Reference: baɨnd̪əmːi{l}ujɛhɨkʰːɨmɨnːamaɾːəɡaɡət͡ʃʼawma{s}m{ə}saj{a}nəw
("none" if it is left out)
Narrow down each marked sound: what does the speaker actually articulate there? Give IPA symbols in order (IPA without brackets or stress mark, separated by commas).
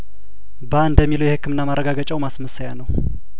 l, s, ə, a